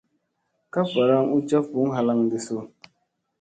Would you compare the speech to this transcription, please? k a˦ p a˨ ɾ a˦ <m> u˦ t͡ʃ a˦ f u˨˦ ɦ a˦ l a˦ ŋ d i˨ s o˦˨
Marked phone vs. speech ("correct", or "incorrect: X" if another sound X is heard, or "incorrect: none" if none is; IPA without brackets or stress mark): incorrect: ŋ